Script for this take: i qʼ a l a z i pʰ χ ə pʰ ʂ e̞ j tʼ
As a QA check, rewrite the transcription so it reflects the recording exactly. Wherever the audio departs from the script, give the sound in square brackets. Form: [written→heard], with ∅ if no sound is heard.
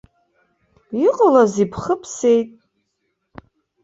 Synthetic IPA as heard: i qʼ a l a z i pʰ χ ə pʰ [ʂ→s] e̞ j tʼ